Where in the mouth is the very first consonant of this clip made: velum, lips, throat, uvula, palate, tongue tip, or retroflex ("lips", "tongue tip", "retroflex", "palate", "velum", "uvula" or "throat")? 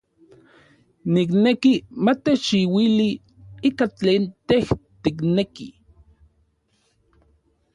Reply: tongue tip